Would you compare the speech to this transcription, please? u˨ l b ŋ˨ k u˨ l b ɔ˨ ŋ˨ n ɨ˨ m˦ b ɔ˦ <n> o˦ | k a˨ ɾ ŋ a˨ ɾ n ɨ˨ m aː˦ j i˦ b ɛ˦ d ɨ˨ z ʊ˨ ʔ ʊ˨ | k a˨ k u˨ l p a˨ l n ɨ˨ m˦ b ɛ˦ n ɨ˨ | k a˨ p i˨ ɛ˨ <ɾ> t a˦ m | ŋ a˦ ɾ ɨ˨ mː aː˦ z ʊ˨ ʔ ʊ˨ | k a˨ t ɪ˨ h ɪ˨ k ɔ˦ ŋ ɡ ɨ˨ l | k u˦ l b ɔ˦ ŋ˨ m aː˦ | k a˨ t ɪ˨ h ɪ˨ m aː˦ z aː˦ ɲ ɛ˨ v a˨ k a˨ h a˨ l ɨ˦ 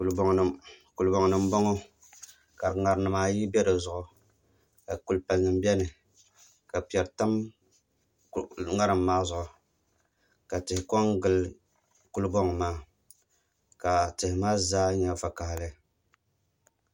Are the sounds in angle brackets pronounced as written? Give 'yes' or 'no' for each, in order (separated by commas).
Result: no, yes